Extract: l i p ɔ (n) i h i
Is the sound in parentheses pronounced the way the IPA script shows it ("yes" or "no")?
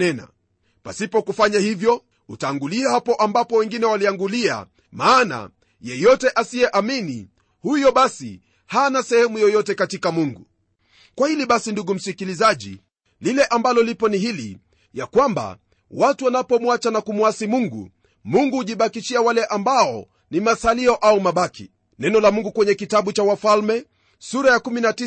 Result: yes